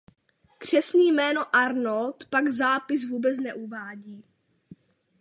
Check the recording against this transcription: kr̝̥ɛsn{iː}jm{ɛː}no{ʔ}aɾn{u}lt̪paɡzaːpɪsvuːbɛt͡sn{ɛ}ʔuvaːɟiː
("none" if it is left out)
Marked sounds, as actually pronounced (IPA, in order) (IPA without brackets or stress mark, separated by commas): iː, ɛː, ʔ, o, ɛ